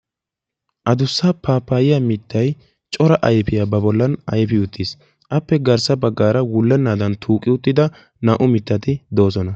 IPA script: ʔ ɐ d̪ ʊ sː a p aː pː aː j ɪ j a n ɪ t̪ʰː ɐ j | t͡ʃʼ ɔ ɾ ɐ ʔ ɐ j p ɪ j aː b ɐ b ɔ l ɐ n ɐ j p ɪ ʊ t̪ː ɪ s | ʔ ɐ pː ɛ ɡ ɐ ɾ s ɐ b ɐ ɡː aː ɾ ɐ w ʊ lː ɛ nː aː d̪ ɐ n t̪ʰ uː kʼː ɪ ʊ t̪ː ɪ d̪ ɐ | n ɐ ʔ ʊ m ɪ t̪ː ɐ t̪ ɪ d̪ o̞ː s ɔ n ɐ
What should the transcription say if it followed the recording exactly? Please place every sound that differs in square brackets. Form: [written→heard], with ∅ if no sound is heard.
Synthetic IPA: ʔ ɐ d̪ ʊ sː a p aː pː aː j ɪ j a [n→m] ɪ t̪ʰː ɐ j | t͡ʃʼ ɔ ɾ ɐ ʔ ɐ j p ɪ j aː b ɐ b ɔ [l→lː] ɐ n ɐ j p ɪ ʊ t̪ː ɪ s | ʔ ɐ pː ɛ ɡ ɐ ɾ s ɐ b ɐ ɡː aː ɾ ɐ w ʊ lː ɛ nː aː d̪ ɐ n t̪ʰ uː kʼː ɪ ʊ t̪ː ɪ d̪ ɐ | n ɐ ʔ ʊ m ɪ t̪ː ɐ t̪ ɪ d̪ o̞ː s ɔ n ɐ